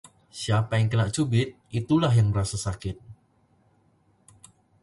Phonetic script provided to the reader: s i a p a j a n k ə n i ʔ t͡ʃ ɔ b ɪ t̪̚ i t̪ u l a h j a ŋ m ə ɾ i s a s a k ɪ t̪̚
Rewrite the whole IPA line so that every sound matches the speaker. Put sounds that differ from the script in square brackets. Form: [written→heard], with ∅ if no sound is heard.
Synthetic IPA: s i a p a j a [n→ŋ] k ə n [i→a] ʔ t͡ʃ [ɔ→u] b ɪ t̪̚ i t̪ u l a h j a ŋ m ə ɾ [i→a] s a s a k ɪ t̪̚